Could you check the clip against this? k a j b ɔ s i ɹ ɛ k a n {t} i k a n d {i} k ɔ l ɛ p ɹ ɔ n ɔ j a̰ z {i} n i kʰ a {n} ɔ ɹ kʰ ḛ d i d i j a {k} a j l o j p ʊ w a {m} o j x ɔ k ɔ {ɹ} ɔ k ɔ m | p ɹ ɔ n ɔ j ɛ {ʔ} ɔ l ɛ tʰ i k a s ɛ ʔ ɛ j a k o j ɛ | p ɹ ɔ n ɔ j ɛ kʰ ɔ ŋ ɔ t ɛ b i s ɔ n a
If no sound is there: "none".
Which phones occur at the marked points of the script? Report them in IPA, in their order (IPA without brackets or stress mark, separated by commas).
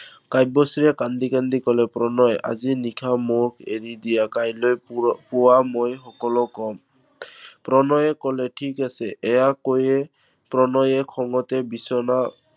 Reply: d, i, i, m, k, m, l, k